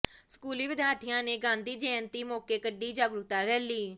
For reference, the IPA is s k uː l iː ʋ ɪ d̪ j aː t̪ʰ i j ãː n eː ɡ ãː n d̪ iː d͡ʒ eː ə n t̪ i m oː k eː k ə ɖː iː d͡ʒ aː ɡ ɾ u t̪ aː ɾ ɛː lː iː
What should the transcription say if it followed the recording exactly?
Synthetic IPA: s k uː l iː ʋ ɪ d̪ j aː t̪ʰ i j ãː n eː ɡ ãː n d̪ iː d͡ʒ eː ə n t̪ iː m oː k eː k ə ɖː iː d͡ʒ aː ɡ ɾ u t̪ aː ɾ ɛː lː iː